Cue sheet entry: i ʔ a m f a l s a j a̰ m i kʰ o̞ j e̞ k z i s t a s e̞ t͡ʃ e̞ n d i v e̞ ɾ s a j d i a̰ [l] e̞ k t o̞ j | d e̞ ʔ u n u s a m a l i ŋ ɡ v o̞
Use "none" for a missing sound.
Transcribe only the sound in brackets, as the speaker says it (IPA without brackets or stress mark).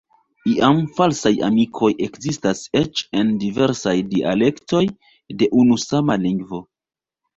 l